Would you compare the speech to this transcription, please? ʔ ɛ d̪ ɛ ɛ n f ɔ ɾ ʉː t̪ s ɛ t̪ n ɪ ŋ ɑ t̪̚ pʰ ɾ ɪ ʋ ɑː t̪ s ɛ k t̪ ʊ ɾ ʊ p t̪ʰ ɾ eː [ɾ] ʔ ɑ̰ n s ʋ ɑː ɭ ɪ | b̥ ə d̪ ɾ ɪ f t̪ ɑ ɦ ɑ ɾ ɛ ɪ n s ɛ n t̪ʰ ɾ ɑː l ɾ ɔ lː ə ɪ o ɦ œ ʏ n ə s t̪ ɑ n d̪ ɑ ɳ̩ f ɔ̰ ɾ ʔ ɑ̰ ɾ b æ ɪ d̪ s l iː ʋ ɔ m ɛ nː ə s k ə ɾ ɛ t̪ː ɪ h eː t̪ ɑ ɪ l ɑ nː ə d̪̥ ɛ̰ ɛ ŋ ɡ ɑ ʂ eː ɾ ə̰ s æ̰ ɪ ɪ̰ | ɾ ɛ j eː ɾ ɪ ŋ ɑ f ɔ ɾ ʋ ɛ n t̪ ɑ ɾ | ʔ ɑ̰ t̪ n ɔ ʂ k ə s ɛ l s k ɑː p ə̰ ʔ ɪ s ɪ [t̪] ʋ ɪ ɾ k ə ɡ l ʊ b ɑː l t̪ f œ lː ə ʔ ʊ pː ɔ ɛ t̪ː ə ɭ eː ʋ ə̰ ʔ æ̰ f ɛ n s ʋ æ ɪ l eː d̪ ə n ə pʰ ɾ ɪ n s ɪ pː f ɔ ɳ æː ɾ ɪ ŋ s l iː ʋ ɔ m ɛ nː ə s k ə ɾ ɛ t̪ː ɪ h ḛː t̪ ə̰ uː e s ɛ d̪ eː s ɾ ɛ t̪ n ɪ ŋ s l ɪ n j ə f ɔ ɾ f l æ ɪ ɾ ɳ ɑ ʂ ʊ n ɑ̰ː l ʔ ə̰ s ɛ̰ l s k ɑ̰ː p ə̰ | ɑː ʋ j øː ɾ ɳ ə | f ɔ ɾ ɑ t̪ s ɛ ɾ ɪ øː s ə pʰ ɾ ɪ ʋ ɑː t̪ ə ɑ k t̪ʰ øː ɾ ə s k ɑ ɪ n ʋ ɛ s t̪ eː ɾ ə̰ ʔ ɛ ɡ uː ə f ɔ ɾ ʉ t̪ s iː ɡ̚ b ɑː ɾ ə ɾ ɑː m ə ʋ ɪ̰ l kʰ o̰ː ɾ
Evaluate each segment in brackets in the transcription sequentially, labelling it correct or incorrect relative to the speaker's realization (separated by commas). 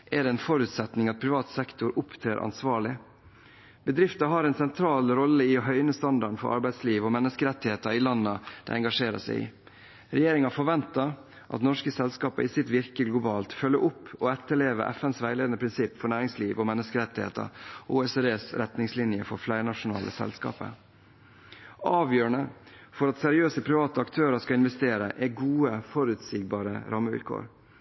correct, correct